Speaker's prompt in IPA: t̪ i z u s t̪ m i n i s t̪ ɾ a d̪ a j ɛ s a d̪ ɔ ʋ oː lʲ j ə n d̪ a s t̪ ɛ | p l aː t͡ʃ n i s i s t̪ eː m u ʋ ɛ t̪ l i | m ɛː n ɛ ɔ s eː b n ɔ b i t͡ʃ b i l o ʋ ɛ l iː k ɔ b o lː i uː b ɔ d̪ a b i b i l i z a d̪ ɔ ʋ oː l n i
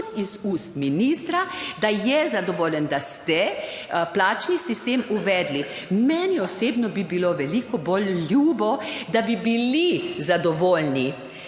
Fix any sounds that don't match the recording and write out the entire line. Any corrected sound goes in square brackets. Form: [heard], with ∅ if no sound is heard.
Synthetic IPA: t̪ i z u s t̪ m i n i s t̪ ɾ a d̪ a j ɛ [z] a d̪ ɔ ʋ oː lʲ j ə n d̪ a s t̪ ɛ | p l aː t͡ʃ n i s i s t̪ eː m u ʋ ɛ [d̪] l i | m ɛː n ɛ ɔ s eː b n ɔ b i [∅] b i l o ʋ ɛ l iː k ɔ b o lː [j] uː b ɔ d̪ a b i b i l i z a d̪ ɔ ʋ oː l n i